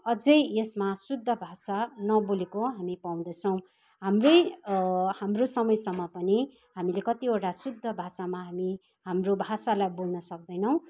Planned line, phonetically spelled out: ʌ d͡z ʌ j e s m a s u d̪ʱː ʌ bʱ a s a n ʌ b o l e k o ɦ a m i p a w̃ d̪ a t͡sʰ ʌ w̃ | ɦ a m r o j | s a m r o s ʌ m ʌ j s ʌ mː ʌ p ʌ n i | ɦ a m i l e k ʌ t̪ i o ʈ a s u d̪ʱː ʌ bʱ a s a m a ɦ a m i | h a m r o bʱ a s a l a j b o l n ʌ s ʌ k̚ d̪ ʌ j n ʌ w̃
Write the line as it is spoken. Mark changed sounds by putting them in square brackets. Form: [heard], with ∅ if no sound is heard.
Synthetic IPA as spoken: ʌ d͡z ʌ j e s m a s u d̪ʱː ʌ bʱ a s a n ʌ b o l e k o ɦ a m i p a w̃ d̪ [ʌ] t͡sʰ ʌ w̃ | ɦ a m r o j | [h] a m r o s ʌ m ʌ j s ʌ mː ʌ p ʌ n i | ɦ a m i l e k ʌ t̪ i o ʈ a s u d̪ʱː ʌ bʱ a s a m a ɦ a m i | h a m r o bʱ a s a l a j b o l n ʌ s ʌ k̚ d̪ ʌ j n ʌ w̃